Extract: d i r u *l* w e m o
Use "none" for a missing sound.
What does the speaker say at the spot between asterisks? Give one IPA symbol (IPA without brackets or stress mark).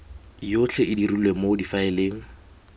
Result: l